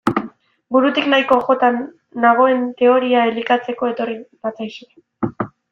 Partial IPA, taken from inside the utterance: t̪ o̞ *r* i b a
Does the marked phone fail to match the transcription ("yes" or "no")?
no